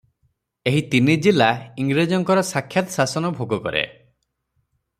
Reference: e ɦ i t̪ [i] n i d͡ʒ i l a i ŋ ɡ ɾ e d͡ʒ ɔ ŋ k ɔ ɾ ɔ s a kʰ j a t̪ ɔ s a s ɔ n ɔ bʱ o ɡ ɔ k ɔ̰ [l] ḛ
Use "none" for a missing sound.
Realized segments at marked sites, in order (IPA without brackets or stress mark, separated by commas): i, ɾ